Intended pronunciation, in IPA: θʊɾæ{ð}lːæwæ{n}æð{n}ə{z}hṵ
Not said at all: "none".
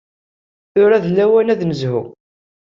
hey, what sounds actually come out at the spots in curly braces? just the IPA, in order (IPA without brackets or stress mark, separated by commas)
ð, n, n, z